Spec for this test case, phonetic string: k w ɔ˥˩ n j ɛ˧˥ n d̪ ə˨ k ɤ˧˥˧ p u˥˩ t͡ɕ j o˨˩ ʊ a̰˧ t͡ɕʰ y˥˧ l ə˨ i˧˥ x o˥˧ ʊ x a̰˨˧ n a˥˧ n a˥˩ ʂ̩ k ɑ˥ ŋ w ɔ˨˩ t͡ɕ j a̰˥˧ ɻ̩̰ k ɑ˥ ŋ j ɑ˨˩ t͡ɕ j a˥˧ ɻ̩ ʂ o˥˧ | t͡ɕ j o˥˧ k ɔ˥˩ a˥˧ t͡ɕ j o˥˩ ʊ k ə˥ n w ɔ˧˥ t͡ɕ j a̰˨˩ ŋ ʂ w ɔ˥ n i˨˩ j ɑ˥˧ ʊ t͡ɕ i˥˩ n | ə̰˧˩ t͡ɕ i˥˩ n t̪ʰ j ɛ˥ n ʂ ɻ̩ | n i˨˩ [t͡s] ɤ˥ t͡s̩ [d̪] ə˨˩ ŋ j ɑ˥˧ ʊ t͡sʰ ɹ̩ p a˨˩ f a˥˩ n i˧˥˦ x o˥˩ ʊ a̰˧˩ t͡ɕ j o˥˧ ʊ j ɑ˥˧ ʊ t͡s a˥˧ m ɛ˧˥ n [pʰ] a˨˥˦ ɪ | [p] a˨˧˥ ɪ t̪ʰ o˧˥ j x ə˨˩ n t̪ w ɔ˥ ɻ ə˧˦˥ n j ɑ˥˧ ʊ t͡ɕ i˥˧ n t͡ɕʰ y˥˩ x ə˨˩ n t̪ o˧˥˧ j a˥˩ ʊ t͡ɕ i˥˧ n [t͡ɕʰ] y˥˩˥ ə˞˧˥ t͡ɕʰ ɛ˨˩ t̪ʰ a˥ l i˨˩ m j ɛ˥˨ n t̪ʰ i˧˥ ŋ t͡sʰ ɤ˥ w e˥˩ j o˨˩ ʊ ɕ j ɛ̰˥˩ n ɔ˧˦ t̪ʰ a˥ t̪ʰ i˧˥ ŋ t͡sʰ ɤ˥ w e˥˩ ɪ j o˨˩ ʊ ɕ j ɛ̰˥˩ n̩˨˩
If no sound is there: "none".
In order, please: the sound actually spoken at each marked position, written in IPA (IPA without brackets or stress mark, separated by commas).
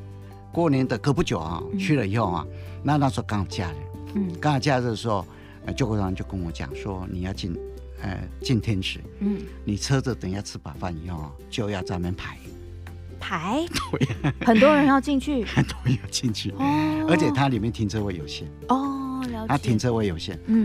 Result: t͡sʰ, t̪, pʰ, pʰ, t͡ɕʰ